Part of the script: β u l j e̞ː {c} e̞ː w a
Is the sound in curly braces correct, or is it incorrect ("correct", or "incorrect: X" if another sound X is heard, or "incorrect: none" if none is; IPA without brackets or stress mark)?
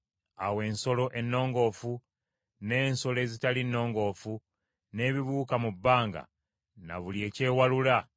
correct